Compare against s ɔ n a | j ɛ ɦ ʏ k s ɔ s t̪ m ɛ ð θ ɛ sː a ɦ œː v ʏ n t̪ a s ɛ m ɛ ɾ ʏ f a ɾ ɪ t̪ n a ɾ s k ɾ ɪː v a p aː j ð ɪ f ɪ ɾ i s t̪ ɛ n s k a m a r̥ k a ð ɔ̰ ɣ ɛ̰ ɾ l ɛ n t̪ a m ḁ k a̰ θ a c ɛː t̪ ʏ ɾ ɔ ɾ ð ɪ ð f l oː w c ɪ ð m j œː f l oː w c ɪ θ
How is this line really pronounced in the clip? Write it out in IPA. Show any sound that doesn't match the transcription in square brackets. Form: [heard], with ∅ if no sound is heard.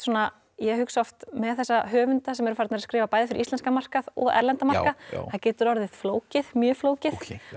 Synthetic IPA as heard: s ɔ n a | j ɛ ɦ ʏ k s ɔ [f] t̪ m ɛ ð θ ɛ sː a ɦ œː v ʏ n t̪ a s ɛ m ɛ ɾ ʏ f a ɾ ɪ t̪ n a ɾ s k ɾ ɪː v a p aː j ð ɪ f ɪ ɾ i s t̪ ɛ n s k a m a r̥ k a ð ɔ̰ ɣ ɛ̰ ɾ l ɛ n t̪ a m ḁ k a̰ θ a c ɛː t̪ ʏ ɾ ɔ ɾ ð ɪ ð f l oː w c ɪ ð m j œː f l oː w c ɪ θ